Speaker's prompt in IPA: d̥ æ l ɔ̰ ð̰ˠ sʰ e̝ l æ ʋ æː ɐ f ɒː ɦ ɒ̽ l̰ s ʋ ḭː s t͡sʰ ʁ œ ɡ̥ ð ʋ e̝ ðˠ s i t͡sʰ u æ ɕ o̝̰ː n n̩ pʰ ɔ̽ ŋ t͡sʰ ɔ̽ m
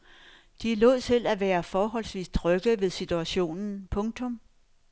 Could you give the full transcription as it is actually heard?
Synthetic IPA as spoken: d̥ i l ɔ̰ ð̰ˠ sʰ e̝ l æ ʋ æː ɐ f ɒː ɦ ɒ̽ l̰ s ʋ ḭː s t͡sʰ ʁ œ ɡ̥ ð ʋ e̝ ðˠ s i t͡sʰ u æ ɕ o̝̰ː n n̩ pʰ ɔ̽ ŋ t͡sʰ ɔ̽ m